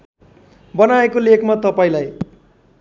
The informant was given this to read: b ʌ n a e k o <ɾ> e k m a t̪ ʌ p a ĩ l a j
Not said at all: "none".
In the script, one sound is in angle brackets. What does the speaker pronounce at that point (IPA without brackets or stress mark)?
l